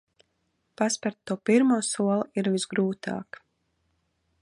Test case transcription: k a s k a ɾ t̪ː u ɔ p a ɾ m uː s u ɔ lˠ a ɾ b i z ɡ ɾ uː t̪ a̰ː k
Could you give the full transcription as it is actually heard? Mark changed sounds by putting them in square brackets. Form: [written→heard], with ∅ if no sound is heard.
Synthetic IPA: [k→p] a s [k→p] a ɾ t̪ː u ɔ p [a→i] ɾ m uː s u ɔ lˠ [a→i] ɾ [b→v] i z ɡ ɾ uː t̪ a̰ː k

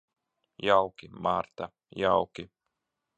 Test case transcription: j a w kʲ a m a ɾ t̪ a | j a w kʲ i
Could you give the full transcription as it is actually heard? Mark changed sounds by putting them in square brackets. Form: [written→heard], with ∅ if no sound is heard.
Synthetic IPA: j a w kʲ [a→i] m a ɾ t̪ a | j a w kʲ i

